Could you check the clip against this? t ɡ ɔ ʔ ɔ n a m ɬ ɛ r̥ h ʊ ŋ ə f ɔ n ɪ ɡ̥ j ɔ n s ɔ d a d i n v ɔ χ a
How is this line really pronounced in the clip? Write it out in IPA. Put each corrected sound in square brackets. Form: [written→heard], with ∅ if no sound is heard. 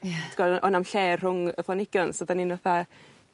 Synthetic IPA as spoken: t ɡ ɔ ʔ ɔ n a m ɬ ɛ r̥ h ʊ ŋ ə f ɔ n ɪ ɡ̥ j ɔ n s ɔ d a [d→n] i n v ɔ [χ→θ] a